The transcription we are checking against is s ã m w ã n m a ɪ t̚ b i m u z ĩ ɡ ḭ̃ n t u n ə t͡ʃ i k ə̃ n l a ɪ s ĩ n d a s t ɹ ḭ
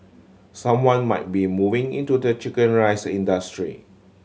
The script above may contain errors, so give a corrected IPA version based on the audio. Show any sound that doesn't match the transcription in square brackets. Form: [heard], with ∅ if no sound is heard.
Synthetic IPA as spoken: s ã m w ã n m a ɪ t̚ b i m u [v] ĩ [ŋ] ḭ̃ n t u [d] ə t͡ʃ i k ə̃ n [ɹ] a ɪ s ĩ n d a s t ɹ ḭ